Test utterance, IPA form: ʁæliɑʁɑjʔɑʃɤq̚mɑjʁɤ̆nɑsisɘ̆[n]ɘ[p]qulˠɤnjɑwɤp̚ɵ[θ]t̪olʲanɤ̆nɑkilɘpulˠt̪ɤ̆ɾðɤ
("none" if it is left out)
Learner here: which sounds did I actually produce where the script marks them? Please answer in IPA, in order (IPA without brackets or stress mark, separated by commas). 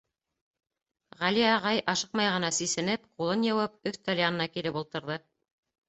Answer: n, p, θ